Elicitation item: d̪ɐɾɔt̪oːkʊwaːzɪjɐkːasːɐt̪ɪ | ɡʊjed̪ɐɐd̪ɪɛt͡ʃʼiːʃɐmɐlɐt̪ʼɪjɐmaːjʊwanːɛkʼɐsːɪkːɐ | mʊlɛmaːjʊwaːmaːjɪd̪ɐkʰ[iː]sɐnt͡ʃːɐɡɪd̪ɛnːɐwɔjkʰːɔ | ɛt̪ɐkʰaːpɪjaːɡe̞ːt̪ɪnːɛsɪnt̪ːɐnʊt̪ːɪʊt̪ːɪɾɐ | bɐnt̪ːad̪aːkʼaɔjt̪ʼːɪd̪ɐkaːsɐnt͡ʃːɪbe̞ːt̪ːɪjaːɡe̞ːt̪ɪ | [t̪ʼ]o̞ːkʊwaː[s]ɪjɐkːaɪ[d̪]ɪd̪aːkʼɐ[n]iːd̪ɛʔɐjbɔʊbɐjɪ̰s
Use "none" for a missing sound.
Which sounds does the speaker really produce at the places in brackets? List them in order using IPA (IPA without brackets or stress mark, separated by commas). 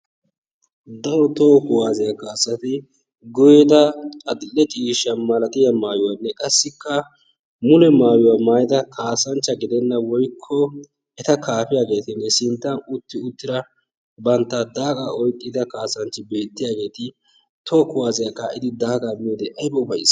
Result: aː, t̪, z, d̪, m